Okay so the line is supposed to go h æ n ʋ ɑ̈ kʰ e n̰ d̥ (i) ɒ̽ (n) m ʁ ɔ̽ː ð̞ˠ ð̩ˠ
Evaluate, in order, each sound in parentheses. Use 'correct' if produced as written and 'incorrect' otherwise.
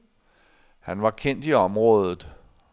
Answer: correct, incorrect

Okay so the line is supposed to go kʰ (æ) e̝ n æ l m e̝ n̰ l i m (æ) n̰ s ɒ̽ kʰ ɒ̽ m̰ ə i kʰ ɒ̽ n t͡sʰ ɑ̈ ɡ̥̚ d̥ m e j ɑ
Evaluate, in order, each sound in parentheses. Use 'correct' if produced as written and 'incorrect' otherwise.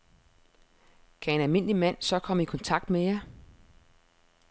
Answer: correct, correct

